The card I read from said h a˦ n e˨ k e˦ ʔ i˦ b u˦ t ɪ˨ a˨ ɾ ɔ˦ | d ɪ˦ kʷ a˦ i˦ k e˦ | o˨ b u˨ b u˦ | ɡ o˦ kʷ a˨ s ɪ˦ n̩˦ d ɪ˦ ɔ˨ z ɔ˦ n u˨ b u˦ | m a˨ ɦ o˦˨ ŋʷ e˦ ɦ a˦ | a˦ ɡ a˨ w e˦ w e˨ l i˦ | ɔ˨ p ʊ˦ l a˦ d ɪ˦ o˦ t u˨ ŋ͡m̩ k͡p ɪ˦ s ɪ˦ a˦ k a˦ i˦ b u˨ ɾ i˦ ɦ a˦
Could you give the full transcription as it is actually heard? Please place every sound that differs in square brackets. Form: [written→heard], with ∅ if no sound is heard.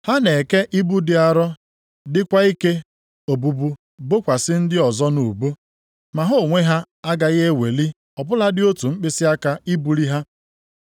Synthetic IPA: h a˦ n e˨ k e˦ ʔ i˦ b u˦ [t→d] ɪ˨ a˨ ɾ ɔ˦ | d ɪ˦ kʷ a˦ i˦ k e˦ | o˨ b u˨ b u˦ | [ɡ→b] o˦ kʷ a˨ s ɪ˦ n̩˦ d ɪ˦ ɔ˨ z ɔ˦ n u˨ b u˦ | m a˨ ɦ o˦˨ ŋʷ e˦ ɦ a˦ | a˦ ɡ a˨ [w→ɣ] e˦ w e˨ l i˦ | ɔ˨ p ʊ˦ l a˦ d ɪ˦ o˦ t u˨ ŋ͡m̩ k͡p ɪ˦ s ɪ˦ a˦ k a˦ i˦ b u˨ ɾ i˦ ɦ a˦